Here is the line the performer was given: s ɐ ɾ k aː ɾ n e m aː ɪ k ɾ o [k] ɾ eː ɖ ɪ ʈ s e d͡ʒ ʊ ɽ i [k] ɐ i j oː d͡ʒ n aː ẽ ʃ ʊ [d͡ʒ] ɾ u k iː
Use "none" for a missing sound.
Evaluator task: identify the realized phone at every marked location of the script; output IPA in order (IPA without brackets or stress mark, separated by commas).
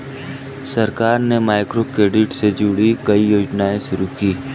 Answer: k, k, none